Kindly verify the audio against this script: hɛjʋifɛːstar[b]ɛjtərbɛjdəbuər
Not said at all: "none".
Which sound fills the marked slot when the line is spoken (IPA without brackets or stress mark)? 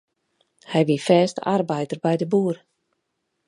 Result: b